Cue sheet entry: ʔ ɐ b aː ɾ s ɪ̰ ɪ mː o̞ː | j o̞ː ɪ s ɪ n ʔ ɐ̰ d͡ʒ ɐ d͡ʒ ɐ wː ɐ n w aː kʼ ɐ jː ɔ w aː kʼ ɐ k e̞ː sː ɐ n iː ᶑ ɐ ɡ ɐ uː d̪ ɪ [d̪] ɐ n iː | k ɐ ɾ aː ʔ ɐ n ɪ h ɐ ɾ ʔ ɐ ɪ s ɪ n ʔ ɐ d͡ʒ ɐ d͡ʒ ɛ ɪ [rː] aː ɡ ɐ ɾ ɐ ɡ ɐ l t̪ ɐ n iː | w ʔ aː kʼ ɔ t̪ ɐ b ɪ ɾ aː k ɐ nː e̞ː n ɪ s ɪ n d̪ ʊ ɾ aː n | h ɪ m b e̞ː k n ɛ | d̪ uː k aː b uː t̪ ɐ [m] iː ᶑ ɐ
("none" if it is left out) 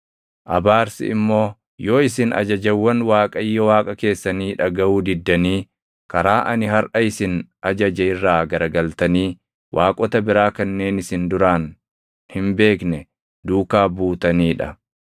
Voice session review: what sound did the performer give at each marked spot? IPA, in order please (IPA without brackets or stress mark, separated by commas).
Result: d̪ː, rː, n